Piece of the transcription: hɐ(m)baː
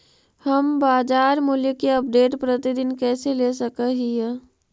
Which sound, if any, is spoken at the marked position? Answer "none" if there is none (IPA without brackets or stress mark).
m